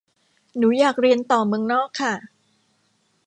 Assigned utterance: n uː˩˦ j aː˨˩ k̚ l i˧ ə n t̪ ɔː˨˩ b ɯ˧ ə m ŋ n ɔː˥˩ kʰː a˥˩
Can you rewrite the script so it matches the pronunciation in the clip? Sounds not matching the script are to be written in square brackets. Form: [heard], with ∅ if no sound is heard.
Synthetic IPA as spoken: n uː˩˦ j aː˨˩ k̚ [ɾ] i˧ ə n t̪ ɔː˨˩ [m] ɯ˧ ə [∅] ŋ n ɔː˥˩ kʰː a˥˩